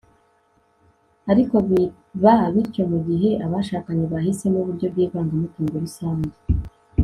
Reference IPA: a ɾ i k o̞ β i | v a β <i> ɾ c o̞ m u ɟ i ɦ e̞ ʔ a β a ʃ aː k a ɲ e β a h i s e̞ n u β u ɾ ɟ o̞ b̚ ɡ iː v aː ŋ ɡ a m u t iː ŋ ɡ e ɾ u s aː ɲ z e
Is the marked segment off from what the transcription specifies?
no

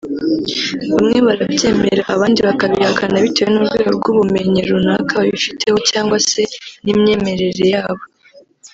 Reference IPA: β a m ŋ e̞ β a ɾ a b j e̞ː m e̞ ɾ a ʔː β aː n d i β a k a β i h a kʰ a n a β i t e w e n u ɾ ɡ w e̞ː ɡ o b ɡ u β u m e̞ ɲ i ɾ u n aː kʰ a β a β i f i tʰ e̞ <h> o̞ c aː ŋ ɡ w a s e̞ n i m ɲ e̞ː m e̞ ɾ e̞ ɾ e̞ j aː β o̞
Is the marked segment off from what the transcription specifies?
no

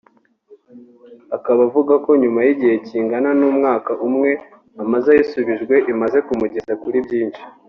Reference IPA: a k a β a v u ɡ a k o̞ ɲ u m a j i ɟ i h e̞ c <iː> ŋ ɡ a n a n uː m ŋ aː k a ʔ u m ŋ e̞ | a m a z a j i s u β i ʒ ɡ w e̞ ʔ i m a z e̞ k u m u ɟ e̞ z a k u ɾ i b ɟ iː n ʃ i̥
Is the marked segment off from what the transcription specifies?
no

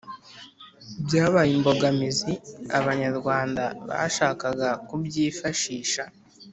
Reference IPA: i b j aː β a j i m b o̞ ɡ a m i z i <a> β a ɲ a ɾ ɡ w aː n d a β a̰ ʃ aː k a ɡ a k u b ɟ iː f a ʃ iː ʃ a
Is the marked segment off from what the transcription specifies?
no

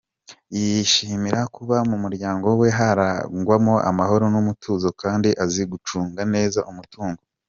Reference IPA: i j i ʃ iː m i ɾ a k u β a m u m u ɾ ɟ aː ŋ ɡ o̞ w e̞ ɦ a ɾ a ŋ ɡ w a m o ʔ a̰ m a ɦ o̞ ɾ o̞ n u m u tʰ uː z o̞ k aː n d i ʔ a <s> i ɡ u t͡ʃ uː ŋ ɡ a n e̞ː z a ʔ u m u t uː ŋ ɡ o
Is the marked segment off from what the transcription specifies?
yes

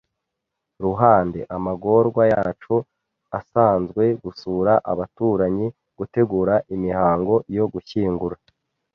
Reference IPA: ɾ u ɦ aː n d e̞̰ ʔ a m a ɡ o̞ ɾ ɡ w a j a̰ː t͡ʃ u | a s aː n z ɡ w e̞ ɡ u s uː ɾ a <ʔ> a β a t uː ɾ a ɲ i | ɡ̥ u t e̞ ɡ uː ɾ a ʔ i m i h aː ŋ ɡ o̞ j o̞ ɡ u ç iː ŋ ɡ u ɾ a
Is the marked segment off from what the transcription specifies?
no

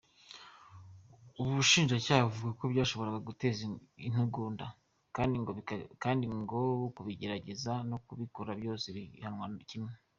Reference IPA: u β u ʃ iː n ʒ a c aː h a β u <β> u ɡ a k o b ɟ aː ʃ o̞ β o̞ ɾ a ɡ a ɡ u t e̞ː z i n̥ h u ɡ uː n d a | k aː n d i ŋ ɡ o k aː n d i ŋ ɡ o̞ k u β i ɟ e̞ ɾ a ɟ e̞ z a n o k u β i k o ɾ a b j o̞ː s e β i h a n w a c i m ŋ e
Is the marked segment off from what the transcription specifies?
yes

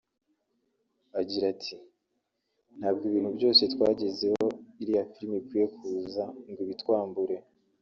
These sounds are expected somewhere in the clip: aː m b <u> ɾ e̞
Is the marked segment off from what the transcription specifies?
no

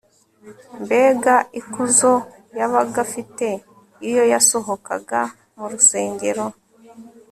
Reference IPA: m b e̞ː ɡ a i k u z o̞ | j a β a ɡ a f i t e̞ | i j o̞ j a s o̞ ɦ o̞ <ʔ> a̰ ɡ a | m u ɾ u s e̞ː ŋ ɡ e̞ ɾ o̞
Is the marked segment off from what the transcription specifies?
yes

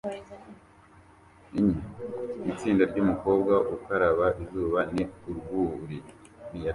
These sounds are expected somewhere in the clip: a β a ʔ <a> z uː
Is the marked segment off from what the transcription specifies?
yes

